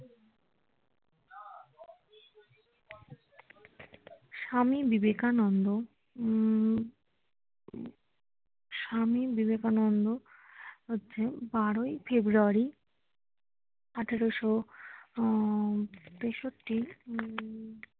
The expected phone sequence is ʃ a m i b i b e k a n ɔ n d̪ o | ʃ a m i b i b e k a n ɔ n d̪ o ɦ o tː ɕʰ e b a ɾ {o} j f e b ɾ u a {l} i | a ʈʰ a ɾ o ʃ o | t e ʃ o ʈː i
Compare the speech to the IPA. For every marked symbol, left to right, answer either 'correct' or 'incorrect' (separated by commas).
correct, incorrect